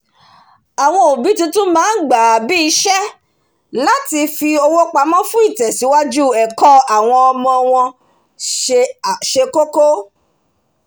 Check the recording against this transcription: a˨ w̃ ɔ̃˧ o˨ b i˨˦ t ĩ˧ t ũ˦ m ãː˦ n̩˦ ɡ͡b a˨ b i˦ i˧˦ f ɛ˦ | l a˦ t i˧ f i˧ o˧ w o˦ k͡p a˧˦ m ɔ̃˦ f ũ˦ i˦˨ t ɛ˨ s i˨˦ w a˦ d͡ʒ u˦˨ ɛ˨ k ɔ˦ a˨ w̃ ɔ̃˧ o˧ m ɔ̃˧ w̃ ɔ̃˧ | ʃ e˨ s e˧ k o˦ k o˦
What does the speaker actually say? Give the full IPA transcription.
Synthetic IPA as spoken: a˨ w̃ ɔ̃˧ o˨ b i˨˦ t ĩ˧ t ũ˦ m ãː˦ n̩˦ ɡ͡b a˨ b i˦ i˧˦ ʃ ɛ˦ | l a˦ t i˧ f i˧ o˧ w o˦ k͡p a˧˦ m ɔ̃˦ f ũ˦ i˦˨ t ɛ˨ s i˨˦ w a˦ d͡ʒ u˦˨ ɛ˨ k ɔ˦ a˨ w̃ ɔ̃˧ ɔ˧ m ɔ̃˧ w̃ ɔ̃˧ | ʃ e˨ ʃ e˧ k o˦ k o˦